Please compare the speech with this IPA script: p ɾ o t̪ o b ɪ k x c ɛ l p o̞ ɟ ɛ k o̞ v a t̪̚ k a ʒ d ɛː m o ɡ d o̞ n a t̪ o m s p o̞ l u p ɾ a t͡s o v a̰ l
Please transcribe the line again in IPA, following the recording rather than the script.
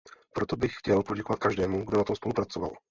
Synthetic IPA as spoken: p ɾ o t̪ o b ɪ x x c ɛ l p o̞ ɟ ɛ k o̞ v a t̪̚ k a ʒ d ɛː m u ɡ d o̞ n a t̪ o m s p o̞ l u p ɾ a t͡s o v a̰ l